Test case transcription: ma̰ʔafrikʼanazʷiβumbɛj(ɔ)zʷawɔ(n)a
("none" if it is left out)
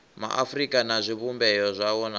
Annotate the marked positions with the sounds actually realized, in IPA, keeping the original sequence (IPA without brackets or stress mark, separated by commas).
ɔ, n